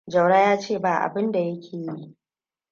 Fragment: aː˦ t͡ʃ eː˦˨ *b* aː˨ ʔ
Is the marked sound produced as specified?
yes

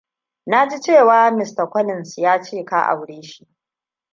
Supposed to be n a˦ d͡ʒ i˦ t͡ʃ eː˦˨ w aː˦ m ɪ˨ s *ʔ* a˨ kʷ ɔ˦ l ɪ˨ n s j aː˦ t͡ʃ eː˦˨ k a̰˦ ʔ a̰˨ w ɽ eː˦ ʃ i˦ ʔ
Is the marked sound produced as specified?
no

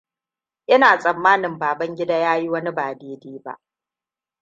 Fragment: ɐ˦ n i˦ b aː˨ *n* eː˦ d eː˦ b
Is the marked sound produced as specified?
no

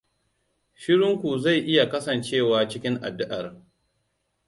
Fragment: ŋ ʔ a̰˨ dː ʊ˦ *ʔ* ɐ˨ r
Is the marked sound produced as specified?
yes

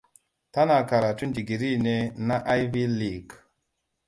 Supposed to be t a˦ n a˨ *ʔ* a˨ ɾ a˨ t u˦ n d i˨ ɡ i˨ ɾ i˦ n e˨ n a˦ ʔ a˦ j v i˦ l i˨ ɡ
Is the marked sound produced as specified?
no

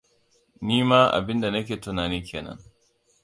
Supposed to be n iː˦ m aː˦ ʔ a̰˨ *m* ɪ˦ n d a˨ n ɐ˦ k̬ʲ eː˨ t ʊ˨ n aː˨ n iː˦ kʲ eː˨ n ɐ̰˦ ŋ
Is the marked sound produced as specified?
no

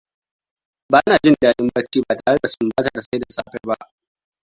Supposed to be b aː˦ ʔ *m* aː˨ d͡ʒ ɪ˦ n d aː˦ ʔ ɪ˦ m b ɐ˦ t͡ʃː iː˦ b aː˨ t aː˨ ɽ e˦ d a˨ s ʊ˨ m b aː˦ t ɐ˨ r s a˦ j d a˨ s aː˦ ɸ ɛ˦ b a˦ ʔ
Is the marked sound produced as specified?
no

